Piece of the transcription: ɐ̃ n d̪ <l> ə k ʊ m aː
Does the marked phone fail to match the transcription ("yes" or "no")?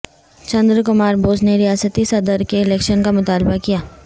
yes